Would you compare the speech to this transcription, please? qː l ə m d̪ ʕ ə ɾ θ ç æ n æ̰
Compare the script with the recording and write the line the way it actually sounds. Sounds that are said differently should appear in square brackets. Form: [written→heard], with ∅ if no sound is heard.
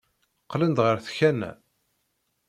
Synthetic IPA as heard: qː l ə [m→n] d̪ [ʕ→ʁ] ə ɾ θ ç æ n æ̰